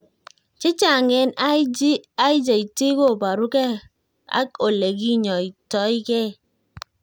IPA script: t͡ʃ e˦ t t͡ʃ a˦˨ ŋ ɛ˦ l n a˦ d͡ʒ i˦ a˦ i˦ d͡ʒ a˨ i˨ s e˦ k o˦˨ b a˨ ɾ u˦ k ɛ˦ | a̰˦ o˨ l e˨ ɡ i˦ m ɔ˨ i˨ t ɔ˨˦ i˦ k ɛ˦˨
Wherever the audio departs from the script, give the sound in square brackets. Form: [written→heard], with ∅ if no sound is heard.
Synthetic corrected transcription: t͡ʃ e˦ [t→∅] t͡ʃ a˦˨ ŋ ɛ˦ [l→∅] n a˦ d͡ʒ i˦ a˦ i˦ d͡ʒ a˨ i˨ [s→t] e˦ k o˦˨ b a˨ ɾ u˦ k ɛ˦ | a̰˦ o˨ l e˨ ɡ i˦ [m→ɲ] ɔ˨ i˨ t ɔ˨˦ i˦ k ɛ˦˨